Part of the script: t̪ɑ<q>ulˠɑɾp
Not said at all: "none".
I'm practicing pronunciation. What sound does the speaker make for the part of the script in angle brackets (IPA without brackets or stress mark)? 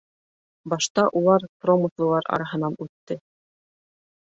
ʔ